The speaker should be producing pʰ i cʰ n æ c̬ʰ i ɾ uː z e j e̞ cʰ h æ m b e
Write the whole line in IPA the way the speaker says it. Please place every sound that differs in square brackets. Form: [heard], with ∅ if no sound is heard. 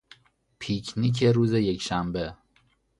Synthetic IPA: pʰ i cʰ n [i] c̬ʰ [e] ɾ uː z e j e̞ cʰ [ʃ] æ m b e

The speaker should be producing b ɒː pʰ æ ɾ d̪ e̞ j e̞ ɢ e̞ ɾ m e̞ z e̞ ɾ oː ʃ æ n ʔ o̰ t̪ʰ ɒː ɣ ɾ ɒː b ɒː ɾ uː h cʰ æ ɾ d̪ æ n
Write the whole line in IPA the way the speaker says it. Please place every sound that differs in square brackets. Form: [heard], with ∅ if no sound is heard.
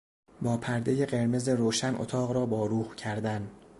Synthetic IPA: b ɒː pʰ æ ɾ d̪ e̞ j e̞ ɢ e̞ ɾ m e̞ z e̞ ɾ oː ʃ æ n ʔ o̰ t̪ʰ ɒː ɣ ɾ ɒː b ɒː ɾ uː h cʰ æ ɾ d̪ æ n

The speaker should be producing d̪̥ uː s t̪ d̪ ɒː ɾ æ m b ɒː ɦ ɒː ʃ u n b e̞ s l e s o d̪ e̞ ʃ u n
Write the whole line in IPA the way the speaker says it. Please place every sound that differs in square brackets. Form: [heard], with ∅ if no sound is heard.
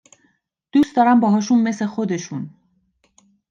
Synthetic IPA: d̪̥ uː s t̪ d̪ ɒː ɾ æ m b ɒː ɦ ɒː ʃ u n [m] e̞ s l e [x] o d̪ e̞ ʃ u n

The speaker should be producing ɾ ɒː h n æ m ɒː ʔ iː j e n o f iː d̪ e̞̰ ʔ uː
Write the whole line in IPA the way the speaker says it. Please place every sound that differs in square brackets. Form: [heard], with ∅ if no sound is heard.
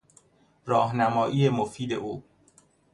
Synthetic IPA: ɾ ɒː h n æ m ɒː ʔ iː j e [m] o f iː d̪ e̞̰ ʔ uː

